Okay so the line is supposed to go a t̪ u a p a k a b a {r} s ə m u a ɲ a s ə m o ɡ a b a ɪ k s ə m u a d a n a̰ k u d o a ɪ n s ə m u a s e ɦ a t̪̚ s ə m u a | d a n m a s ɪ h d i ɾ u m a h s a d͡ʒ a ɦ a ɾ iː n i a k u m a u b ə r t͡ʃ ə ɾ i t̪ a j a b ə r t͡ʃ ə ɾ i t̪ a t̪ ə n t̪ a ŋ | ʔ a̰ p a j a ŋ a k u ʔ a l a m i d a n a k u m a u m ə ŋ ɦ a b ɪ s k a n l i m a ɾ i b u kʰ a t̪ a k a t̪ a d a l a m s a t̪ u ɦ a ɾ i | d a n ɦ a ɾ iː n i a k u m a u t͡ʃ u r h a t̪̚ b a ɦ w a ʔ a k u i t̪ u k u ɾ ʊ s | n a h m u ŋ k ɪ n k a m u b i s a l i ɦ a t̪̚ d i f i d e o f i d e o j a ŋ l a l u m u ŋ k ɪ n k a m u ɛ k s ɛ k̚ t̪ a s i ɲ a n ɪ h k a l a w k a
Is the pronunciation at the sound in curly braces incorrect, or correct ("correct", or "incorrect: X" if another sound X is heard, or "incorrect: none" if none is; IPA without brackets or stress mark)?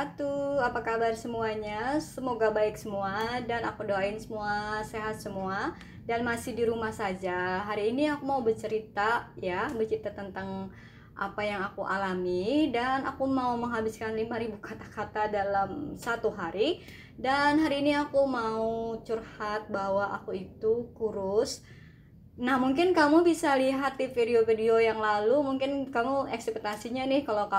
correct